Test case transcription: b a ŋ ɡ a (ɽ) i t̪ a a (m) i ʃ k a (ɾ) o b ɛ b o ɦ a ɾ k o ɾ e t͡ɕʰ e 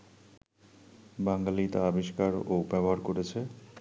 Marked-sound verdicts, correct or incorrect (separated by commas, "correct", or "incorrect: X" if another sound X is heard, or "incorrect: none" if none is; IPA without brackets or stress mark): incorrect: l, incorrect: b, correct